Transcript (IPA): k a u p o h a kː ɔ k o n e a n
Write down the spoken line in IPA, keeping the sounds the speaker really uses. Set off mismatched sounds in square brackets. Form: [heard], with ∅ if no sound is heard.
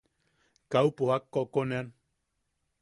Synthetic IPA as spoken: k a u p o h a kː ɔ k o n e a n